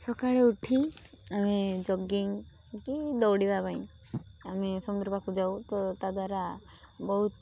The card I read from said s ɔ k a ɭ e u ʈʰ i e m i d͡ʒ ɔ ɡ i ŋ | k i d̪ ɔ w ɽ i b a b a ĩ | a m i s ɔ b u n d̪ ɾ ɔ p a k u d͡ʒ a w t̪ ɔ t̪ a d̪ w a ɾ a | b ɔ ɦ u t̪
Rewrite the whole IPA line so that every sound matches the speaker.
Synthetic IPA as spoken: s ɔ k a ɭ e u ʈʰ i a m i d͡ʒ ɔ ɡ i ŋ | k i d̪ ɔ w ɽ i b a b a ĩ | a m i s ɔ m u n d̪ ɾ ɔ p a k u d͡ʒ a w t̪ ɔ t̪ a d̪ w a ɾ a | b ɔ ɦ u t̪

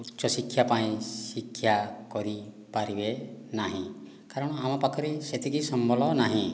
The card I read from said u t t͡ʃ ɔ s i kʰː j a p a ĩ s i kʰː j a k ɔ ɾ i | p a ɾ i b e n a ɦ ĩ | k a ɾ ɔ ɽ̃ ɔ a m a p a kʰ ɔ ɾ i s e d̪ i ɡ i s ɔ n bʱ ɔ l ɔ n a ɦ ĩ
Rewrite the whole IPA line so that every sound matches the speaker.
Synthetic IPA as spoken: u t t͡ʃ ɔ s i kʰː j a p a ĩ s i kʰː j a k ɔ ɾ i | p a ɾ i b e n a ɦ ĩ | k a ɾ ɔ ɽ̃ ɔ a m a p a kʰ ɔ ɾ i s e t̪ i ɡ i s ɔ m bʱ ɔ l ɔ n a ɦ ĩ

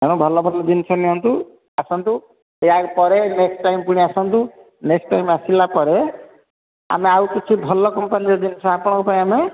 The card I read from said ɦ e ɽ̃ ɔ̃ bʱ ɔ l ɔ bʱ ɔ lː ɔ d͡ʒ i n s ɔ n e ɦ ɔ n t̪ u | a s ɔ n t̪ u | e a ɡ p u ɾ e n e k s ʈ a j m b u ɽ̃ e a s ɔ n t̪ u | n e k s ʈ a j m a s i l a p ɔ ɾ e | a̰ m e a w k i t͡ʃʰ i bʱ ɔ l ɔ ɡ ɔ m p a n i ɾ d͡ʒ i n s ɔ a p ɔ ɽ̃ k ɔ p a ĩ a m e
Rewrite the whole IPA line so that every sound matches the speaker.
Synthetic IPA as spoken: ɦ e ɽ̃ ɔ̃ bʱ ɔ l ɔ bʱ ɔ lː ɔ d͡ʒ i n s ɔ n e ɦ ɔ n t̪ u | a s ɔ n t̪ u | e a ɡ p ɔ ɾ e n e k s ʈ a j m p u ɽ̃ i a s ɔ n t̪ u | n e k s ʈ a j m a s i l a p ɔ ɾ e | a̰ m e a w k i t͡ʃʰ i bʱ ɔ l ɔ k ɔ m p a n i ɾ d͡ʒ i n s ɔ a p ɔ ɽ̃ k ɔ p a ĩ a m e

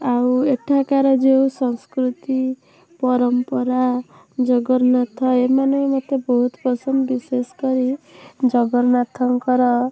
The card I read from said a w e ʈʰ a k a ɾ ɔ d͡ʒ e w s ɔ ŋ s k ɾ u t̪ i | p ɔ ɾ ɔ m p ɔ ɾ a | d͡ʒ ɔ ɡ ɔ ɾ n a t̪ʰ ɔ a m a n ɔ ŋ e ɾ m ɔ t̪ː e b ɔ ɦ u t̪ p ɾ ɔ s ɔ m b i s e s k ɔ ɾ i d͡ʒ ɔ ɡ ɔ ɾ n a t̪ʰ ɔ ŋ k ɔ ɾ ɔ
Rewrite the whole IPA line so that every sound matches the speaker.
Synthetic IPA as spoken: a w e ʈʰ a k a ɾ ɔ d͡ʒ e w s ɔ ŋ s k ɾ u t̪ i | p ɔ ɾ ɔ m p ɔ ɾ a | d͡ʒ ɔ ɡ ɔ ɾ n a t̪ʰ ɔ e m a n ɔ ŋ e m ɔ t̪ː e b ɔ ɦ u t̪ p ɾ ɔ s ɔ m b i s e s k ɔ ɾ i d͡ʒ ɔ ɡ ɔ ɾ n a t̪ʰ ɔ ŋ k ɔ ɾ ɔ

